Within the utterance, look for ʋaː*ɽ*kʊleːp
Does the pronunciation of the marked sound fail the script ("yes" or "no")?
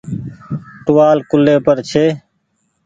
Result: yes